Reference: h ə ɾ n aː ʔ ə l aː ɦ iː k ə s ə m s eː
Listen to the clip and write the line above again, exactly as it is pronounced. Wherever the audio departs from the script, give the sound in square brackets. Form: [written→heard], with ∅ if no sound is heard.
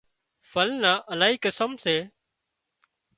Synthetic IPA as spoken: [h→f] ə [ɾ→l] n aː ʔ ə l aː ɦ iː k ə s ə m s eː